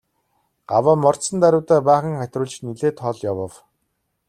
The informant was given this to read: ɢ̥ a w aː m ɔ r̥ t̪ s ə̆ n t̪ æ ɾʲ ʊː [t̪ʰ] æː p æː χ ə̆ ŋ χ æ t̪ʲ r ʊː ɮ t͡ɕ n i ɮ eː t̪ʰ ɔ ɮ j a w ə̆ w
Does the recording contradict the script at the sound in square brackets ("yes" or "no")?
yes